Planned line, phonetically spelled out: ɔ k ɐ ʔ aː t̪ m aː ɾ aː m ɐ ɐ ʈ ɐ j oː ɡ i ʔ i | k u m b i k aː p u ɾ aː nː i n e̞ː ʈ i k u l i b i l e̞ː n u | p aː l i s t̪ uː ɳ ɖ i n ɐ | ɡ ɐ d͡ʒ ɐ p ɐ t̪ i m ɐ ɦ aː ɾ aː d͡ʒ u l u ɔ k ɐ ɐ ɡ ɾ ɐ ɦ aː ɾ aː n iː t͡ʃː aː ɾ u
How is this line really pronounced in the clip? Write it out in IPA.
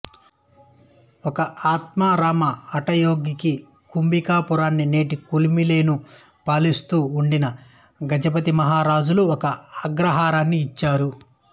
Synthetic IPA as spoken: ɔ k ɐ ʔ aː t̪ m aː ɾ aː m ɐ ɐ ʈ ɐ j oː ɡ i k i | k u m b i k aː p u ɾ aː nː i n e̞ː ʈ i k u l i m i l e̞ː n u | p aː l i s t̪ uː ɳ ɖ i n ɐ | ɡ ɐ d͡ʒ ɐ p ɐ t̪ i m ɐ ɦ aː ɾ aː d͡ʒ u l u ɔ k ɐ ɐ ɡ ɾ ɐ ɦ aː ɾ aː nː iː t͡ʃː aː ɾ u